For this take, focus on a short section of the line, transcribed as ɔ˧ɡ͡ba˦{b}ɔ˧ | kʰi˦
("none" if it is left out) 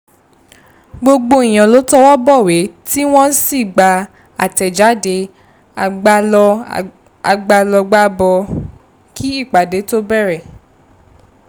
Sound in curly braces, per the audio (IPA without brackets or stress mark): b